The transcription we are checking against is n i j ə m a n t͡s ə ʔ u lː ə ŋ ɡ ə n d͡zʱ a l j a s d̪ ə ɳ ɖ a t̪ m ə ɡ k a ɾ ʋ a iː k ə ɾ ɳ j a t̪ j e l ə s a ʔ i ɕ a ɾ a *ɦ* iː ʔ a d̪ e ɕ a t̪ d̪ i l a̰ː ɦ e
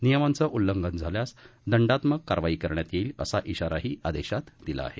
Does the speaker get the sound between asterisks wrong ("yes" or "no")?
no